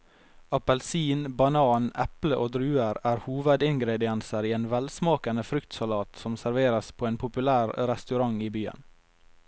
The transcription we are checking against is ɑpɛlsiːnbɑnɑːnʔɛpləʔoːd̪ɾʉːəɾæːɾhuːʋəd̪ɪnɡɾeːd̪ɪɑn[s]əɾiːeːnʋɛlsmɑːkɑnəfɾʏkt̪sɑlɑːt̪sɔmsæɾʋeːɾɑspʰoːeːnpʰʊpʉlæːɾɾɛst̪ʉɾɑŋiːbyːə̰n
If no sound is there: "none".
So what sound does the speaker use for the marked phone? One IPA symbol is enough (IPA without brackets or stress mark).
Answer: s